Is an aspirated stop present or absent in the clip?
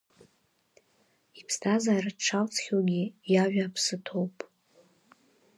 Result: present